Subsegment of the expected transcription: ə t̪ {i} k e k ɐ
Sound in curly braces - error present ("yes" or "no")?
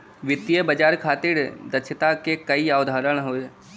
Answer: yes